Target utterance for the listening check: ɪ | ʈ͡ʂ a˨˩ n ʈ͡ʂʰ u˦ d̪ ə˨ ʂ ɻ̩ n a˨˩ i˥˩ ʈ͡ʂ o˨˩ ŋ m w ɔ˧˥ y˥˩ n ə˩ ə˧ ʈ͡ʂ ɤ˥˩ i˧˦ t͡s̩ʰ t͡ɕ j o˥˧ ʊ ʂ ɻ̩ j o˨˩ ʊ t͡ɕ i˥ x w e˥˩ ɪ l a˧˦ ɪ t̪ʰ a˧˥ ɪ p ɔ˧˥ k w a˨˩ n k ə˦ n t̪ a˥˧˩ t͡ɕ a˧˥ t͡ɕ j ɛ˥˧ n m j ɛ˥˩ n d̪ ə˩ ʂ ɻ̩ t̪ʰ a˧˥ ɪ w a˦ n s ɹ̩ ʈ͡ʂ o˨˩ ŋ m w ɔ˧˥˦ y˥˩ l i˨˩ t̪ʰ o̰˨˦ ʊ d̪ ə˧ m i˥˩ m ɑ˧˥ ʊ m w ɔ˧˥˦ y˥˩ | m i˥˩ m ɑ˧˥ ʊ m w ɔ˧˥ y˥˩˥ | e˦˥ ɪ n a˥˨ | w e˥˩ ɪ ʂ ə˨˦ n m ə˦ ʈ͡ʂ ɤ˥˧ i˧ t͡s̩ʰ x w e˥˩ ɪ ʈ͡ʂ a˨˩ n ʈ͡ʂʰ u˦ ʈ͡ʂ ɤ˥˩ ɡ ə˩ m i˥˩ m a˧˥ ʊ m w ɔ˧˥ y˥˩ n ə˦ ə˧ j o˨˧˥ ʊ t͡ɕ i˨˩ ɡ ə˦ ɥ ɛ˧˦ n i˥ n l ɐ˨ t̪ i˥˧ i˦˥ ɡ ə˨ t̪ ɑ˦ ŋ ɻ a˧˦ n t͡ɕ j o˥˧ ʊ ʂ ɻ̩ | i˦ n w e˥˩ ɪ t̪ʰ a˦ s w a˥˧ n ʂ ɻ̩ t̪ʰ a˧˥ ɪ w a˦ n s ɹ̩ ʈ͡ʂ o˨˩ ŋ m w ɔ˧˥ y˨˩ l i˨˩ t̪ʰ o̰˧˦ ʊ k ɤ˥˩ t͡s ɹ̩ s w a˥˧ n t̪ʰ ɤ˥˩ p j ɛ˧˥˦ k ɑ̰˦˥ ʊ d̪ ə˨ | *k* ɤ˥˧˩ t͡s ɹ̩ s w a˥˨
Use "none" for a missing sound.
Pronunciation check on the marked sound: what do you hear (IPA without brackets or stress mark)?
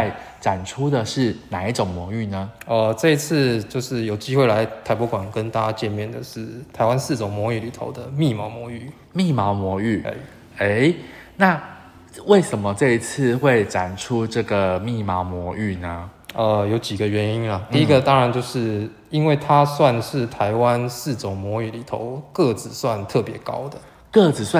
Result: k